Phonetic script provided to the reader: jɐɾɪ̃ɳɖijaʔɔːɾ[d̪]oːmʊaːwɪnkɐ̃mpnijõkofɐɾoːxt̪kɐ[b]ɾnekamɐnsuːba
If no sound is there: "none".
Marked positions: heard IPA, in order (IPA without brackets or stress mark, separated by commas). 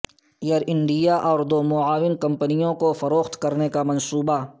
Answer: d̪, none